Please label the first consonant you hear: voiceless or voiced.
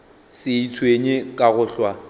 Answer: voiceless